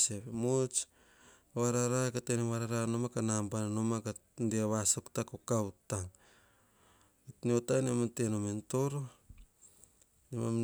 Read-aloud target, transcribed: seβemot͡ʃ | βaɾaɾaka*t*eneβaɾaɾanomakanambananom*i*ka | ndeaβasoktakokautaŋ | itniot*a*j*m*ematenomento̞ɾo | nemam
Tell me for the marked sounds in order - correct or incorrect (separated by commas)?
correct, incorrect, correct, incorrect